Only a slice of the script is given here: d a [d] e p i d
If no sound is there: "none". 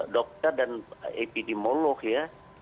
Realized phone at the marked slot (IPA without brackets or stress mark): n